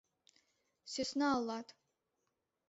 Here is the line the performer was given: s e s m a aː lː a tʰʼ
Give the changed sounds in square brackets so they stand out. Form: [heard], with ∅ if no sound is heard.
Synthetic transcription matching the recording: s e s [n] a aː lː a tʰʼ